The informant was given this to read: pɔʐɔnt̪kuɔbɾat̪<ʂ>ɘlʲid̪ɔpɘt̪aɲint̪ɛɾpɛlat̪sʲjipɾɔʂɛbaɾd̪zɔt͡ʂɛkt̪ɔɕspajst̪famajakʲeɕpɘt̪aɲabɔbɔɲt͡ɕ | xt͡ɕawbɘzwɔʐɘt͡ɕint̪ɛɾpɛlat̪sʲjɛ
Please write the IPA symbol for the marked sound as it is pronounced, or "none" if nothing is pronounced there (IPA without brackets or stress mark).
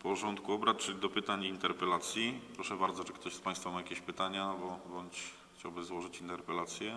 t͡ʂ